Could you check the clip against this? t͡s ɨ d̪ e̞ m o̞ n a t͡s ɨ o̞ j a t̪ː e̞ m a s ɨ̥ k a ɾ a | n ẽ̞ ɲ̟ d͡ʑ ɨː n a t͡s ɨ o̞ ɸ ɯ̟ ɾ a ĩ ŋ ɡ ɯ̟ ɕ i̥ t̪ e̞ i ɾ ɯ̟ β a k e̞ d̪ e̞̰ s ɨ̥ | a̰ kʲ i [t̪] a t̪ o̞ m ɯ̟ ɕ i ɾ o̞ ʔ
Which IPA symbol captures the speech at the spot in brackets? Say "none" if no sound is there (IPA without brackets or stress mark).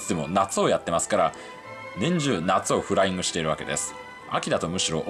d̪